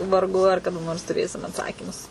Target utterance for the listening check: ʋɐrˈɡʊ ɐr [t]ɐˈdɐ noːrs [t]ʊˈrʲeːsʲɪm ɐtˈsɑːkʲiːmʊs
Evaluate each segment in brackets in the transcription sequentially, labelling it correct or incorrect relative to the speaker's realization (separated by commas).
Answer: incorrect, correct